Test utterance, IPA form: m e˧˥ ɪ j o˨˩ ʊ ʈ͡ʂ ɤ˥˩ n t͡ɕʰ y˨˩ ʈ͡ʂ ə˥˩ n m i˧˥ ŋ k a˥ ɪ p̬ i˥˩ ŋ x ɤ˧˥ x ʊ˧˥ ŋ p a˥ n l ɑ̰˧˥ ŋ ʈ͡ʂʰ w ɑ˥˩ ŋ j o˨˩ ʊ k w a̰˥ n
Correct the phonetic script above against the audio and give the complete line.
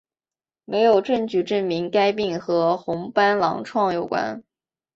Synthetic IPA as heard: m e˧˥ ɪ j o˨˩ ʊ ʈ͡ʂ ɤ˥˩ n t͡ɕ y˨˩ ʈ͡ʂ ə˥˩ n m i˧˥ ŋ k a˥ ɪ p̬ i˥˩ ŋ x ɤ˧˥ x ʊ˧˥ ŋ p a˥ n l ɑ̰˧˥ ŋ ʈ͡ʂʰ w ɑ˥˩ ŋ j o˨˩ ʊ k w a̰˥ n